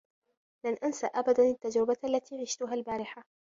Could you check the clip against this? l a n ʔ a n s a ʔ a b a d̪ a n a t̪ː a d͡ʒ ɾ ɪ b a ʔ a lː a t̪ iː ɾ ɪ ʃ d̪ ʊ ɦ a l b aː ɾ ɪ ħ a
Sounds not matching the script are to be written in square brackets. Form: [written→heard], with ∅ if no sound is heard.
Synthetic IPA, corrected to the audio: l a n ʔ a n s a ʔ a b a d̪ a n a t̪ː a d͡ʒ ɾ ɪ b a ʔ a lː a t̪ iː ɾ ɪ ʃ [d̪→t̪] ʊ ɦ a l b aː ɾ ɪ ħ a